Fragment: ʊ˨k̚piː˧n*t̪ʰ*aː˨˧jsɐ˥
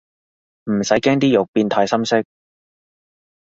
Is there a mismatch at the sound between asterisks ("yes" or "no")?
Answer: no